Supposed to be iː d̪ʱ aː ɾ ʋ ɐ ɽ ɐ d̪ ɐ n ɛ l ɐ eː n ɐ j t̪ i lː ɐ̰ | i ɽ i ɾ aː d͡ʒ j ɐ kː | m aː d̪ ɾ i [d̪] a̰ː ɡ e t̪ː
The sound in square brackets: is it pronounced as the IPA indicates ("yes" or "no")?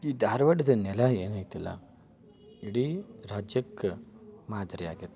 no